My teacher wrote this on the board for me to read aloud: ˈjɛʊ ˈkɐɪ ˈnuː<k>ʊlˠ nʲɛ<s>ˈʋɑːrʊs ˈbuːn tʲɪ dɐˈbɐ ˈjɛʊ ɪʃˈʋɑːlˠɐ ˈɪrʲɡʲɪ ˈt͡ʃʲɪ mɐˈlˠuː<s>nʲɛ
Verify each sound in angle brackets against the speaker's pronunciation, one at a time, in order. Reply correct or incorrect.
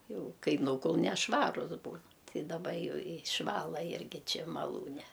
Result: correct, incorrect, incorrect

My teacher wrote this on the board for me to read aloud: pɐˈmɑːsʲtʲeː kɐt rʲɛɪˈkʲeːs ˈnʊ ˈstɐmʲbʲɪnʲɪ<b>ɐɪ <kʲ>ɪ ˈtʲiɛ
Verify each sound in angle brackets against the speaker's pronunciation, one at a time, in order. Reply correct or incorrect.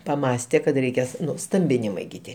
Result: incorrect, incorrect

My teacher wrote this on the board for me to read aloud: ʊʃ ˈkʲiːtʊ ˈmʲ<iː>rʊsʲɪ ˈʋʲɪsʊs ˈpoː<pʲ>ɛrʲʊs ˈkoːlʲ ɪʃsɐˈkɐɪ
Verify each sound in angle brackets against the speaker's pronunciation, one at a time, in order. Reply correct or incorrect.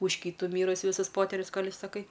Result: correct, incorrect

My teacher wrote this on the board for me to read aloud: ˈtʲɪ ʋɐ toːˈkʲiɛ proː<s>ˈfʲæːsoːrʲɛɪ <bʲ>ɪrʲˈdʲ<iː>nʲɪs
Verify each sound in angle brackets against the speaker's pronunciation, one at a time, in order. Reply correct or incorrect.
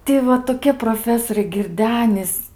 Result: incorrect, incorrect, incorrect

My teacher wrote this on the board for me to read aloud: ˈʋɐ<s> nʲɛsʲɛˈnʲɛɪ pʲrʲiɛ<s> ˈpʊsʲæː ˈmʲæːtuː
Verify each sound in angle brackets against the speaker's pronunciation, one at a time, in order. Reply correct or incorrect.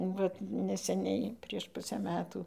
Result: incorrect, incorrect

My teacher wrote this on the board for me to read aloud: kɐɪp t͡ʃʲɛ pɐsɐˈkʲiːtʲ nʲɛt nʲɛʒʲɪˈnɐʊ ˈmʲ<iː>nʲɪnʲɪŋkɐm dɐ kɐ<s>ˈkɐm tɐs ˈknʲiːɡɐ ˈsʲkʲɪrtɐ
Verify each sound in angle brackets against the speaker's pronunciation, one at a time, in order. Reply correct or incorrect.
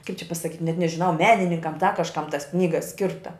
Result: incorrect, incorrect

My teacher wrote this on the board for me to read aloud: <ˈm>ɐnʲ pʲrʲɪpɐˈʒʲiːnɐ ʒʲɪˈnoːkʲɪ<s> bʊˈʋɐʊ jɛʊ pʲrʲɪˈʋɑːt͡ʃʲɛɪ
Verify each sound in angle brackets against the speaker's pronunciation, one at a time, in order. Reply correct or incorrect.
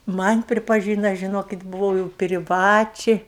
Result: correct, incorrect

